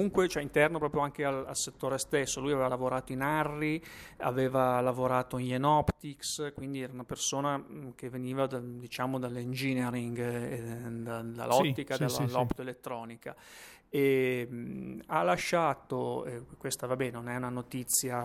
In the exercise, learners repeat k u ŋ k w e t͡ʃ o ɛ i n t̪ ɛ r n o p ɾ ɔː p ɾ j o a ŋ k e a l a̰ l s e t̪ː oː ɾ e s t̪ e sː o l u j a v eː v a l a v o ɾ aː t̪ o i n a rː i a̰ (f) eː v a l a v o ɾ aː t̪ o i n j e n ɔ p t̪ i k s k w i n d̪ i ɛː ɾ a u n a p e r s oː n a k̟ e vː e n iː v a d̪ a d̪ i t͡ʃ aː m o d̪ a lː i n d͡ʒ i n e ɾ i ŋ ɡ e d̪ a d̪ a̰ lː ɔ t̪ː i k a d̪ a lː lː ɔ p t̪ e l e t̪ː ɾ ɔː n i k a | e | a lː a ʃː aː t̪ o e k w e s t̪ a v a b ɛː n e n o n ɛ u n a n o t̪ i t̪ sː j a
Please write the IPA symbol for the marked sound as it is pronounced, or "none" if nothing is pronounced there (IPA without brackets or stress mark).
v